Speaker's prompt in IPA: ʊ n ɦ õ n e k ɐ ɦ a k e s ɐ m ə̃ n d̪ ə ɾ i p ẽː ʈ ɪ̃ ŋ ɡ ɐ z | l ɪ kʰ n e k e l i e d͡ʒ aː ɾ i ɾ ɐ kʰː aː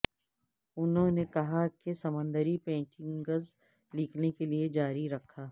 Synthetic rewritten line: ʊ n ɦ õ n e k ɐ ɦ a k e s ɐ m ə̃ n d̪ ə ɾ i p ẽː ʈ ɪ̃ ŋ ɡ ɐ z | l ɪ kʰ n e k e l i e d͡ʒ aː ɾ i ɾ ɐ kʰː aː